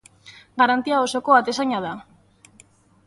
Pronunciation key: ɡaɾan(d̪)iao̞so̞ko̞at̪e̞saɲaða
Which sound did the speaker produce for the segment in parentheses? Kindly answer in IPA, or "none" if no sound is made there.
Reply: t̪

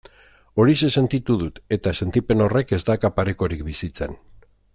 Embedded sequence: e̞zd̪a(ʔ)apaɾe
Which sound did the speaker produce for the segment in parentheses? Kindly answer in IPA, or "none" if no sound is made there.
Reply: k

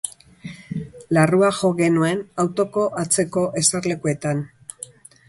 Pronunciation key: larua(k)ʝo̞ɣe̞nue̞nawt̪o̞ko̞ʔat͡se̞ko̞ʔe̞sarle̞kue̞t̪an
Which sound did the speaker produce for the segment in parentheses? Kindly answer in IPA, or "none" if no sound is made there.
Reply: none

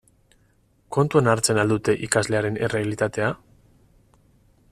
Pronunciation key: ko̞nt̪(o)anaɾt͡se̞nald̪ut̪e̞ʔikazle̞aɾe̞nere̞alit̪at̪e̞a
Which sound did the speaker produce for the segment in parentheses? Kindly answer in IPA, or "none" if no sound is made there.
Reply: u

